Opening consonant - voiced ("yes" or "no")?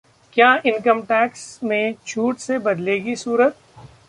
no